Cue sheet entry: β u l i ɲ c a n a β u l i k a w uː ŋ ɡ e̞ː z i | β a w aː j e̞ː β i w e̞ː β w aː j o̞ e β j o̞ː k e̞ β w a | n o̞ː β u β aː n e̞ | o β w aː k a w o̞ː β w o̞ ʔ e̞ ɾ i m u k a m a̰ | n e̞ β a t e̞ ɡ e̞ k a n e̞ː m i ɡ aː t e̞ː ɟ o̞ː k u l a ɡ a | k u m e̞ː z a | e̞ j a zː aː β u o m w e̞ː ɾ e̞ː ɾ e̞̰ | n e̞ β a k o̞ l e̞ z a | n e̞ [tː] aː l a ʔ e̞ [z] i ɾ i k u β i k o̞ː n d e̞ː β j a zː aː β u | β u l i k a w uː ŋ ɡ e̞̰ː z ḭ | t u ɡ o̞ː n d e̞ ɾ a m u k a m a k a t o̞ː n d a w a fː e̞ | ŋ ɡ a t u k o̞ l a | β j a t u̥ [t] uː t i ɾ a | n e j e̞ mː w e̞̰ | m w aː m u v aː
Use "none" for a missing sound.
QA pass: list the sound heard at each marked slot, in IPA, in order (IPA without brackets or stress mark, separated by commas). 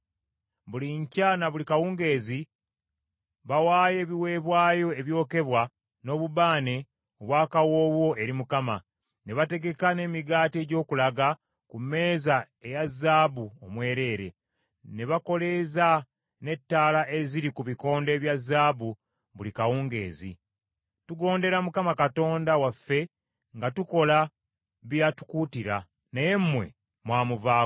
tː, z, k